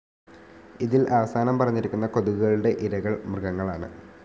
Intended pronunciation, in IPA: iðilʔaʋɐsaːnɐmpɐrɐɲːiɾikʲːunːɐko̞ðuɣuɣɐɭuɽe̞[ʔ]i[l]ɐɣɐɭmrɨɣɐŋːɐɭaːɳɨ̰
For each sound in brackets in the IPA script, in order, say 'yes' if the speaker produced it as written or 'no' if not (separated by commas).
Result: yes, no